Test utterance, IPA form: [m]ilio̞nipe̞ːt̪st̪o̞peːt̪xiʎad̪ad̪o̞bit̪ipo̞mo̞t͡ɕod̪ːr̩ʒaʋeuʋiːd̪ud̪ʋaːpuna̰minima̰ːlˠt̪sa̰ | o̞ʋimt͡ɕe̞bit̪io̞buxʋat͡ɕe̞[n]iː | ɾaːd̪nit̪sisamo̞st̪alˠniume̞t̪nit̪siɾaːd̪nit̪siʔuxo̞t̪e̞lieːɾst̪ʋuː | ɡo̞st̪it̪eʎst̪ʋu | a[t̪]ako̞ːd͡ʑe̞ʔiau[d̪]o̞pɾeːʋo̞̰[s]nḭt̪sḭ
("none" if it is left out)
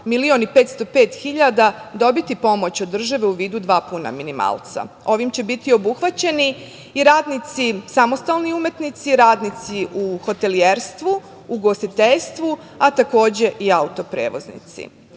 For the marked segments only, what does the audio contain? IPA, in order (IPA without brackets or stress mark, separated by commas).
m, n, t̪, t̪, z